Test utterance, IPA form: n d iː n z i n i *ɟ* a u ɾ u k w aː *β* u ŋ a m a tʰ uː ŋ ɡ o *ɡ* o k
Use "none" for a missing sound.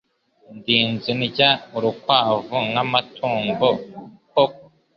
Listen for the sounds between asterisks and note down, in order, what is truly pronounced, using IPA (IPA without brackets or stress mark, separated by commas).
ɟ, v, k